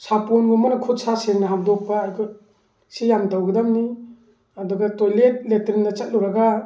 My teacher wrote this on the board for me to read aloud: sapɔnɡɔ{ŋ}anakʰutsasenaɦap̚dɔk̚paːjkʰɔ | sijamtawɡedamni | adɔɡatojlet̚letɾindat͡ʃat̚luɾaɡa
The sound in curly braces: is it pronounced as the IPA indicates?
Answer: no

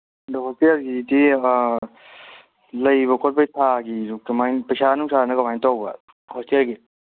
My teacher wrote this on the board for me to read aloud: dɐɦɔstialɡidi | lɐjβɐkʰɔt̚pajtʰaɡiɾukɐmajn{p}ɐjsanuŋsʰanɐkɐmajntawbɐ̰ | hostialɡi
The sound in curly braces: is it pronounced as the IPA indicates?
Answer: yes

